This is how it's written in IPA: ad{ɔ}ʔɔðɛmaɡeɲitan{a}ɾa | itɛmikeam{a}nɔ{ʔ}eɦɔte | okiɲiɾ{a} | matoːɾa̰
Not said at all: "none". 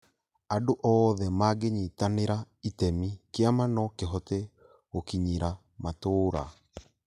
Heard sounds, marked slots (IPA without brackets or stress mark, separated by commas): o, e, a, k, a